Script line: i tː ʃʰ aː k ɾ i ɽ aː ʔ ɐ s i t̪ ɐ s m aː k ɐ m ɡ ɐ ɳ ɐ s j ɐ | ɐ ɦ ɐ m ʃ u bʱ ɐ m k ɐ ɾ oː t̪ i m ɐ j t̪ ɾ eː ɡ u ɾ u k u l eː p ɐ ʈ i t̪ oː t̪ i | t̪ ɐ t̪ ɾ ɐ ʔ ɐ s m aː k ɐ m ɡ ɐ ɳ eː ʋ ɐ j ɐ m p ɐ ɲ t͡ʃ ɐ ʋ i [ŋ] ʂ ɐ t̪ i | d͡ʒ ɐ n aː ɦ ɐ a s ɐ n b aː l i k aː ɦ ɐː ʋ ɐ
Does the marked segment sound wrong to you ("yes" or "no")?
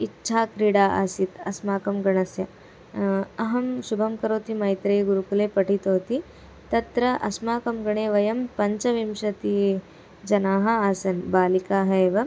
yes